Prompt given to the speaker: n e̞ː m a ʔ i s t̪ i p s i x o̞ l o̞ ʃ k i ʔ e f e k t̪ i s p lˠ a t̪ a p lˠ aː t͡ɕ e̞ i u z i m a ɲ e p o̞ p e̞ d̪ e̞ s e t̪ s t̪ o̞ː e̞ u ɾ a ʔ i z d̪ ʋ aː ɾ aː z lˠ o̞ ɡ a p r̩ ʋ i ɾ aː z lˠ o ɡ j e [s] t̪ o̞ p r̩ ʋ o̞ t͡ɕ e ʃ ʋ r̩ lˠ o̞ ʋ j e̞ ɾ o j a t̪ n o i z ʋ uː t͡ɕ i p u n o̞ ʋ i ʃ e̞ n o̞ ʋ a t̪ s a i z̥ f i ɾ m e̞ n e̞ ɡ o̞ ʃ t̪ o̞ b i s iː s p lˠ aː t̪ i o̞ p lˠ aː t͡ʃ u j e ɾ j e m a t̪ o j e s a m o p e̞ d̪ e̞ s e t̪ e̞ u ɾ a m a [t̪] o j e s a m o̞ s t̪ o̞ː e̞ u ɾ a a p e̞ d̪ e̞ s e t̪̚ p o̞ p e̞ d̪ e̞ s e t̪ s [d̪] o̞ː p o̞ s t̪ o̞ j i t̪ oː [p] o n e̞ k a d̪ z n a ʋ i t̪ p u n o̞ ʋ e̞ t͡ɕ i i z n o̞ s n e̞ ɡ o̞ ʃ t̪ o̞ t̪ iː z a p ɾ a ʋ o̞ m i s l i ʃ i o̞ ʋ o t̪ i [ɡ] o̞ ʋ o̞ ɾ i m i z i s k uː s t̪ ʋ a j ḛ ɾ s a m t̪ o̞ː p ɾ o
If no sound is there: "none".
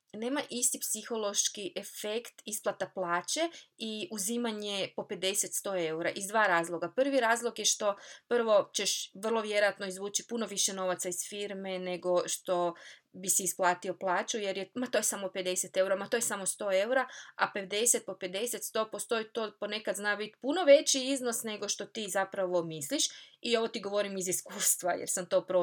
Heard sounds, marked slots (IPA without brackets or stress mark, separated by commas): ʃ, t̪, t̪, p, ɡ